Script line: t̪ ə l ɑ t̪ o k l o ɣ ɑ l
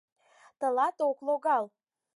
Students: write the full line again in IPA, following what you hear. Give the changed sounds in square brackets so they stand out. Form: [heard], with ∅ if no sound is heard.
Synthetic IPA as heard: t̪ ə l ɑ t̪ o k l o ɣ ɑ l